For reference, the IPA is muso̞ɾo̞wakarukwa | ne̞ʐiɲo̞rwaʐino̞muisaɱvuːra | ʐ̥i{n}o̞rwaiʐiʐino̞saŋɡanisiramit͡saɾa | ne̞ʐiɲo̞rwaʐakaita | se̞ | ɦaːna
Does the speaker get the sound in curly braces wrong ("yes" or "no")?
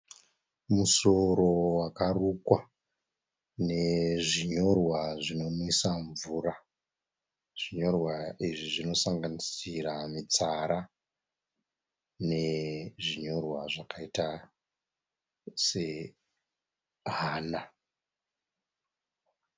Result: yes